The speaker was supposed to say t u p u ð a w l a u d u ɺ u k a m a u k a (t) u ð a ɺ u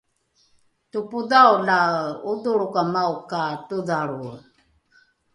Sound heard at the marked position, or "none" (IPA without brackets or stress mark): t